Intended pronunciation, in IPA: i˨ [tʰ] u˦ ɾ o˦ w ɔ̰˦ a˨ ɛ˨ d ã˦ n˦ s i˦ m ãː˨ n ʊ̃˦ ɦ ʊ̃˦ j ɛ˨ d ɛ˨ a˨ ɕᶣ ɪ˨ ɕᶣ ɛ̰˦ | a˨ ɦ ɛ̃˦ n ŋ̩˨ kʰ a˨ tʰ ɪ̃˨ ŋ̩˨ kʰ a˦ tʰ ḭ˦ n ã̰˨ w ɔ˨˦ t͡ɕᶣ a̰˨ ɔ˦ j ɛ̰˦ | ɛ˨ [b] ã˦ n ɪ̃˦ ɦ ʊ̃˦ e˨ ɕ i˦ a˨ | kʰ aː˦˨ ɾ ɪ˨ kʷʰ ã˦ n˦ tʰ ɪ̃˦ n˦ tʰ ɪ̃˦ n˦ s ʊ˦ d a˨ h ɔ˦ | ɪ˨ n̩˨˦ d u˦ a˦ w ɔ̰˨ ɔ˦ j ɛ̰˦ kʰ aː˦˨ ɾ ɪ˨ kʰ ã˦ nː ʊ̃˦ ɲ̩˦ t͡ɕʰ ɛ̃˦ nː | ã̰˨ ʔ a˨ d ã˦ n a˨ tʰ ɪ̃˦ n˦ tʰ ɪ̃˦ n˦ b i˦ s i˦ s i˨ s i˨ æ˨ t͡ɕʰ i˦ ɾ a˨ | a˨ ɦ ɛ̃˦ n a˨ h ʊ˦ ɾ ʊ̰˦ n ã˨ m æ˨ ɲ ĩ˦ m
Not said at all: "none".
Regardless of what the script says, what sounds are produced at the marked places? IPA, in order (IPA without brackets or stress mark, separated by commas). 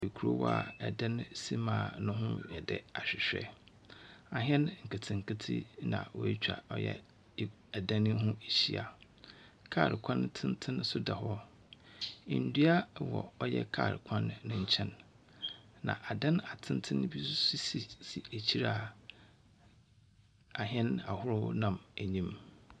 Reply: kʰ, d